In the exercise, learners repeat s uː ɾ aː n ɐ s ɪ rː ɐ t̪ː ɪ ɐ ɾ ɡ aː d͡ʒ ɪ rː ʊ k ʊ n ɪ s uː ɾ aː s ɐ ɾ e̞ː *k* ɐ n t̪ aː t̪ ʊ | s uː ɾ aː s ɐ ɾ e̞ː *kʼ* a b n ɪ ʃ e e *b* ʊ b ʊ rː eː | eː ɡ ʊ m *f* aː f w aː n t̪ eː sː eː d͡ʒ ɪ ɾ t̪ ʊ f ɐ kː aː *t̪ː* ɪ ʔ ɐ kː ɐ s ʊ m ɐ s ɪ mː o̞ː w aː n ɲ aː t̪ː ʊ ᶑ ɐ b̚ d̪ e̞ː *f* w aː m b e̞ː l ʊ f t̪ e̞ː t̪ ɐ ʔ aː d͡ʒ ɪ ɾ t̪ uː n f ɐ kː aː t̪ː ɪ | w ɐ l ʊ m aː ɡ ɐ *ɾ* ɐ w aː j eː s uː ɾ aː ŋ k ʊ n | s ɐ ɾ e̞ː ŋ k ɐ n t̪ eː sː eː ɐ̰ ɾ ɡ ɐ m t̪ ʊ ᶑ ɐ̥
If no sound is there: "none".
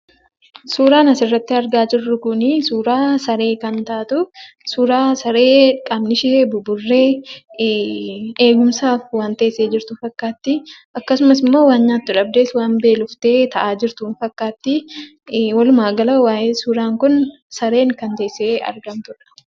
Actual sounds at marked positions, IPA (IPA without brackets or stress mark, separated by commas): k, kʼ, b, s, t̪ː, s, l